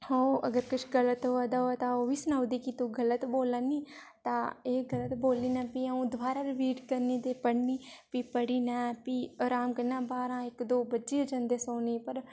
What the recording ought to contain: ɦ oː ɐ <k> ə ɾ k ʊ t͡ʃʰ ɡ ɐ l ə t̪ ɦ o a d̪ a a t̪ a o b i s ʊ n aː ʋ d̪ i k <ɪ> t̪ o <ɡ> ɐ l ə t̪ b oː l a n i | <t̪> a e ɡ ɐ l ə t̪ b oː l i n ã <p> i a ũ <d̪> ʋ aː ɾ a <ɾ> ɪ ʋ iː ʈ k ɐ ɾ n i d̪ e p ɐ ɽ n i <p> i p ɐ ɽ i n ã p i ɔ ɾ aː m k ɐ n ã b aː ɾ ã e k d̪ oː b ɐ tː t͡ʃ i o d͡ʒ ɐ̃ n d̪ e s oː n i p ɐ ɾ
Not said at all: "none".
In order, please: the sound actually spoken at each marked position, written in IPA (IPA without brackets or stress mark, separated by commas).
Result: ɡ, i, ɡ, t̪, p, d̪, ɾ, p